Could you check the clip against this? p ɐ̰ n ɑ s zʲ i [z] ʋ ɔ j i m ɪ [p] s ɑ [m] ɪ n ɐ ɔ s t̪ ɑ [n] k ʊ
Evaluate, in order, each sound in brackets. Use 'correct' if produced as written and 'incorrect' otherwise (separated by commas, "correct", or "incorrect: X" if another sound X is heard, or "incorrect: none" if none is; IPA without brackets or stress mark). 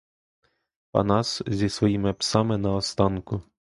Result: incorrect: s, correct, correct, correct